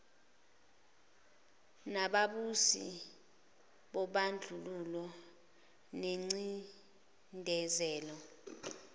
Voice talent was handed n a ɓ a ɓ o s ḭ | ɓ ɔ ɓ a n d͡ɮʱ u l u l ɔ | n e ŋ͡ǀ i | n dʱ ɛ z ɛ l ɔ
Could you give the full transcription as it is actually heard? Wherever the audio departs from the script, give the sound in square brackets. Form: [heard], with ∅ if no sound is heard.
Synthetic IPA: n a ɓ a ɓ [u] s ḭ | ɓ ɔ ɓ a n d͡ɮʱ u l u l ɔ | n e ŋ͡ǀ i | n dʱ ɛ z [ɛː] l ɔ